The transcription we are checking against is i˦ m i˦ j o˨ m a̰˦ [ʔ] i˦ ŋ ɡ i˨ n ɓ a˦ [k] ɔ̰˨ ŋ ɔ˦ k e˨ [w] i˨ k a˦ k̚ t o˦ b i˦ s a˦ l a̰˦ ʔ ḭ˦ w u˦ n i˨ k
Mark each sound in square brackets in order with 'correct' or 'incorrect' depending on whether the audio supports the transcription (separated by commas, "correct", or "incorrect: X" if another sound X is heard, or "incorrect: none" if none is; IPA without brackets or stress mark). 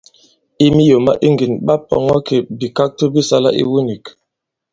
correct, incorrect: p, incorrect: b